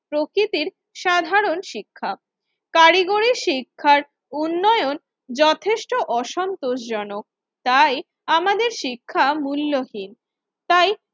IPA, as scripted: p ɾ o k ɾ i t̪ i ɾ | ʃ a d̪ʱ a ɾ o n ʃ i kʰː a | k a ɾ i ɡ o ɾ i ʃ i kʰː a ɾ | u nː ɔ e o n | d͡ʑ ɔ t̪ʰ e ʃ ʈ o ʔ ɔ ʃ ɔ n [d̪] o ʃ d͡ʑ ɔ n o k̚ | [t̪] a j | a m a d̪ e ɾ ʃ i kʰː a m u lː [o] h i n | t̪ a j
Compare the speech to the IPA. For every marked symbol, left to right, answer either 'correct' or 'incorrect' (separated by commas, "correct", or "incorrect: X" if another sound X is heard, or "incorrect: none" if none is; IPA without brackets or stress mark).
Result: incorrect: t̪, correct, correct